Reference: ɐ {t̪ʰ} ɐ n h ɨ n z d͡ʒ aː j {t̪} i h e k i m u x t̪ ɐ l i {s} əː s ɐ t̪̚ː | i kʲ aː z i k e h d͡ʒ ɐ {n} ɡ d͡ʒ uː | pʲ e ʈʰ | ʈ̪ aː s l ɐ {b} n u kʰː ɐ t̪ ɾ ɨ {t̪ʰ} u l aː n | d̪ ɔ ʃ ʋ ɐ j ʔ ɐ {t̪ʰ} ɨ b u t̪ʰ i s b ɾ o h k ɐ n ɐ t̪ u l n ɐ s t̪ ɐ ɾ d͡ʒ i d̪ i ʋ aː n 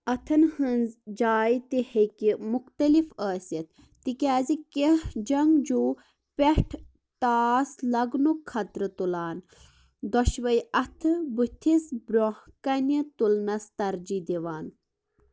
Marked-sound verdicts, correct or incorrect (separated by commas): correct, correct, incorrect, incorrect, incorrect, incorrect, correct